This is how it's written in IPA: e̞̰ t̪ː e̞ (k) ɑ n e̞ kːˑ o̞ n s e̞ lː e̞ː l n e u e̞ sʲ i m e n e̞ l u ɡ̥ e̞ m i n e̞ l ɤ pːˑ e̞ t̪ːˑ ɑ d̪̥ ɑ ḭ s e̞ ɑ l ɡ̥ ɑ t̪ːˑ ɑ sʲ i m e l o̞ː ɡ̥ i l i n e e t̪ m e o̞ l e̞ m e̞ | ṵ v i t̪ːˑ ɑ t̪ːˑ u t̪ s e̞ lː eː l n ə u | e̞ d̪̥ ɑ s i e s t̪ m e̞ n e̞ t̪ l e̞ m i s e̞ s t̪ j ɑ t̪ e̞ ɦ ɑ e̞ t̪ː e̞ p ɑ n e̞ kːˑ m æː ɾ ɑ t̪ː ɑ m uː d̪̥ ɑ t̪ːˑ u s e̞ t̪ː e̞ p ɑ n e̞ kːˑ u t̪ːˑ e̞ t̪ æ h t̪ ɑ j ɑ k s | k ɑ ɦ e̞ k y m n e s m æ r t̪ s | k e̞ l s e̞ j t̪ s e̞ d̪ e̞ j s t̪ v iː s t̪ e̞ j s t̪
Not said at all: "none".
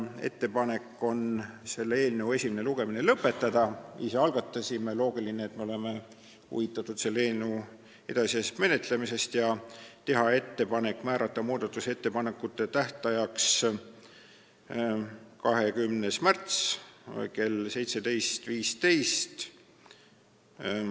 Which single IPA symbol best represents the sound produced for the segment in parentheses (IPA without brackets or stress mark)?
p